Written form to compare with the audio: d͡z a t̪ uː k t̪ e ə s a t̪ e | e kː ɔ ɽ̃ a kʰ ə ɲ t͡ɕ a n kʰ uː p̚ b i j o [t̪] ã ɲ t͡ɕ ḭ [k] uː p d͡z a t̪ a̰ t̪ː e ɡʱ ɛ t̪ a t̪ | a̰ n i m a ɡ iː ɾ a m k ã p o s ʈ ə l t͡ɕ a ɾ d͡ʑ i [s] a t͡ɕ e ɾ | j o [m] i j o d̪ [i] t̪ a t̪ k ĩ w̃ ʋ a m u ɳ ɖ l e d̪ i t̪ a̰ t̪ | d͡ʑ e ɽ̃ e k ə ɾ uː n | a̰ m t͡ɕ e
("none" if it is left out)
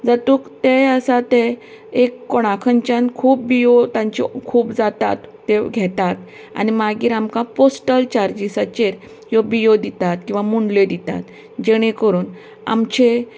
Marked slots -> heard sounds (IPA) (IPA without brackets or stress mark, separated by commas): t̪, kʰ, s, b, i